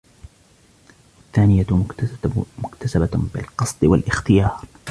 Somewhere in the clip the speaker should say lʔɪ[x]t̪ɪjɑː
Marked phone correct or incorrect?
correct